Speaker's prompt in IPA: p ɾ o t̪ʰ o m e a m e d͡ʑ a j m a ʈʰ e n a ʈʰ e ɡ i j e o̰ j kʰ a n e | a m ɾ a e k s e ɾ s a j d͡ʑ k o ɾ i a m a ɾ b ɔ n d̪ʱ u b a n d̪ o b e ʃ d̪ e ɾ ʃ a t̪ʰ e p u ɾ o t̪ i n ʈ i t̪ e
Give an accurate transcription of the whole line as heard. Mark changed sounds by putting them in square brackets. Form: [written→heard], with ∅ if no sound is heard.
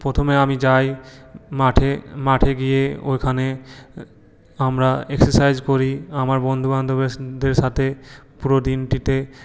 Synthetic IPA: p ɾ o t̪ʰ o m e a m [e→i] d͡ʑ a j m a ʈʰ e [n→m] a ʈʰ e ɡ i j e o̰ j kʰ a n e | a m ɾ a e k s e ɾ s a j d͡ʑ k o ɾ i a m a ɾ b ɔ n d̪ʱ u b a n d̪ o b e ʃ d̪ e ɾ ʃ a t̪ʰ e p u ɾ o [t̪→d̪] i n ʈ i t̪ e

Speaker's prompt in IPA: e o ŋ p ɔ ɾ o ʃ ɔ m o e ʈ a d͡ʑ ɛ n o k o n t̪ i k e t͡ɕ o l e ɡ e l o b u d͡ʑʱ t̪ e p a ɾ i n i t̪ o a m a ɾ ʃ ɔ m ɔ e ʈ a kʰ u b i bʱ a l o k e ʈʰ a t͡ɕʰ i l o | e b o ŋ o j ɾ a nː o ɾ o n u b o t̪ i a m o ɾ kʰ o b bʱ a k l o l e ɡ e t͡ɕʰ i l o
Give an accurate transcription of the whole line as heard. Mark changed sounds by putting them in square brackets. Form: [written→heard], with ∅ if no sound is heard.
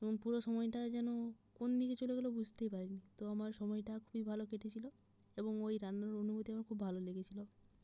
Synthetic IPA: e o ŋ p [ɔ→u] ɾ o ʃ ɔ m [o→ɔ] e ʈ a d͡ʑ ɛ n o k o n [t̪→d̪] i k e t͡ɕ o l e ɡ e l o b u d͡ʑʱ t̪ e p a ɾ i n i t̪ o a m a ɾ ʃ ɔ m ɔ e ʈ a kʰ u b i bʱ a l o k e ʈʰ [a→e] t͡ɕʰ i l o | e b o ŋ o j ɾ a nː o ɾ o n u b o t̪ i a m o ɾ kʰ [o→u] b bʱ a [k→∅] l o l e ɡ e t͡ɕʰ i l o

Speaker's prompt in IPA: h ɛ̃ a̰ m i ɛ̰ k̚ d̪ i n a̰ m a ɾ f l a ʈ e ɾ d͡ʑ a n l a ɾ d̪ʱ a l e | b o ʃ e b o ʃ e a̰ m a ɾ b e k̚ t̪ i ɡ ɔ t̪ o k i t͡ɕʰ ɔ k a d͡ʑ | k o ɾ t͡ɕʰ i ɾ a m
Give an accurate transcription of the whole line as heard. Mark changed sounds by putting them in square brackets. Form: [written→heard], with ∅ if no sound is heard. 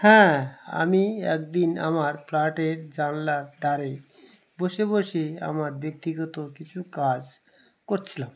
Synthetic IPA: h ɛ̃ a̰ m i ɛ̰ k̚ d̪ i n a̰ m a ɾ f l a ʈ e ɾ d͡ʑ a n l a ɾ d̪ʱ a [l→ɾ] e | b o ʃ e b o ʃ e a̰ m a ɾ b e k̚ t̪ i ɡ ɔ t̪ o k i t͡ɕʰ [ɔ→u] k a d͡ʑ | k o ɾ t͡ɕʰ i [ɾ→l] a m

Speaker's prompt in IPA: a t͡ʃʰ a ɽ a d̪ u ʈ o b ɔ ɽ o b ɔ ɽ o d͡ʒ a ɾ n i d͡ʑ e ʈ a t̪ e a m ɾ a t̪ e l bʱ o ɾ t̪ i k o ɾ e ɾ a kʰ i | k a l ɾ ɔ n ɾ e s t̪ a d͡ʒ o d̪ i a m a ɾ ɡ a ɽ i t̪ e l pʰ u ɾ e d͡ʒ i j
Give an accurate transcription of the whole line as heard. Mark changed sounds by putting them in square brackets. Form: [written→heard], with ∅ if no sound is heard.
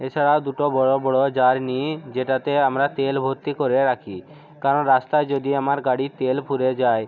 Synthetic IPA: [a→e] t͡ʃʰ a ɽ a d̪ u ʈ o b ɔ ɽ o b ɔ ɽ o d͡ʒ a ɾ n i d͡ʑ e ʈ a t̪ e a m ɾ a t̪ e l bʱ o ɾ t̪ i k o ɾ e ɾ a kʰ i | k a [l→∅] ɾ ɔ n ɾ [e→a] s t̪ a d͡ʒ o d̪ i a m a ɾ ɡ a ɽ i t̪ e l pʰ u ɾ e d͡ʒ [i→a] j

